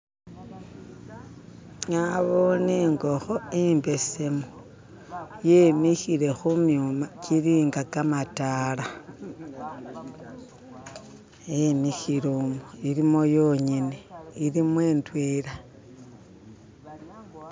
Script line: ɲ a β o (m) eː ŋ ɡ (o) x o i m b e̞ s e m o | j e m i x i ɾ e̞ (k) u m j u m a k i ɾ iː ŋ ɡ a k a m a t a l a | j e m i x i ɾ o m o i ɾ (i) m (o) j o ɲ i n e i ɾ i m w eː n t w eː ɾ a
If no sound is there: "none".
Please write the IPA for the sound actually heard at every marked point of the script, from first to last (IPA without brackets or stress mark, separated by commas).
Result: n, o, x, i, o